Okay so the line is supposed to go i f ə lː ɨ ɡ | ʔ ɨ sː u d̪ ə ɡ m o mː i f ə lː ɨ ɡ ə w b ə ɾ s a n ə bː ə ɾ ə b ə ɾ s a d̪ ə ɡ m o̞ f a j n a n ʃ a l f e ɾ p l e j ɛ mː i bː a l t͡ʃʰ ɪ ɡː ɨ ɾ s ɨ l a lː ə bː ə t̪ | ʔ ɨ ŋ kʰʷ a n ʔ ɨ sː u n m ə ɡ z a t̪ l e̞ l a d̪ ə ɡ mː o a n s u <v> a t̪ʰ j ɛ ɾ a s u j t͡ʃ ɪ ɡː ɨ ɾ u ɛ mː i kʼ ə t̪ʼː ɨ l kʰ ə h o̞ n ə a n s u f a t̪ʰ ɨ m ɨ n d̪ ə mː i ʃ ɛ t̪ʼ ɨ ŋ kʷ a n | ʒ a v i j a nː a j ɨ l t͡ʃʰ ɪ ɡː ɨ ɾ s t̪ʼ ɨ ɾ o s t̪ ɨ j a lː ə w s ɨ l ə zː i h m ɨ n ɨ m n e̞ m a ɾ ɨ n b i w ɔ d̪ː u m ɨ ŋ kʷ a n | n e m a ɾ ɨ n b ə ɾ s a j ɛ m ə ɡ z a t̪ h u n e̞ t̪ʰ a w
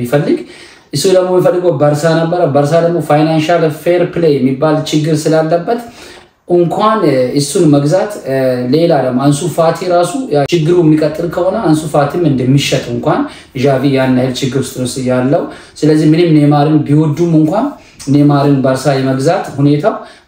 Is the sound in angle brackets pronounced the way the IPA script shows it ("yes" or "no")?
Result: no